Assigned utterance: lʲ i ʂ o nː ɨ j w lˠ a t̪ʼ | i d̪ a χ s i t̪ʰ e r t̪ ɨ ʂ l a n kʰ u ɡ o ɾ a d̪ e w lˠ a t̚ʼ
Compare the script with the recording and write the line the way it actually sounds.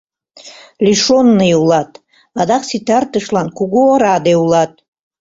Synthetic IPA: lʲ i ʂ o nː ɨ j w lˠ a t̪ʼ | a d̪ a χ s i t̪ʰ a r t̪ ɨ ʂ l a n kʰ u ɡ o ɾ a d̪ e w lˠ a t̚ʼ